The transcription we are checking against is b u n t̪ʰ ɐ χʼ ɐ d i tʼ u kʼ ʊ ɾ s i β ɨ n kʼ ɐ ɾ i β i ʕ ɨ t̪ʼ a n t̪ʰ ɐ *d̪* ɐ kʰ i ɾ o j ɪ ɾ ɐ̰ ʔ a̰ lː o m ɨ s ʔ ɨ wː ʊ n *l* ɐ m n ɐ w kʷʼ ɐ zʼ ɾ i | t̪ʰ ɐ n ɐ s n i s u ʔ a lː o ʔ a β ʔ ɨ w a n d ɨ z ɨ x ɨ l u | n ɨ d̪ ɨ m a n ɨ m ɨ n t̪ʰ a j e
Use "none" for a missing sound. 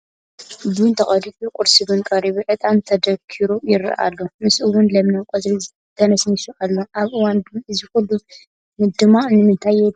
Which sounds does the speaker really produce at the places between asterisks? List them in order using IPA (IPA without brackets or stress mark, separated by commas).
d̪, l